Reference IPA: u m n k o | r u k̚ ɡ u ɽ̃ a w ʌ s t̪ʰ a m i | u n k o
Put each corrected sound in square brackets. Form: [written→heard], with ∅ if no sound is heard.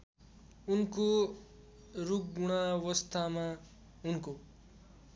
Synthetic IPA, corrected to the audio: u [m→∅] n k o | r u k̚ ɡ u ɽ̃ a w ʌ s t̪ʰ a m [i→a] | u n k o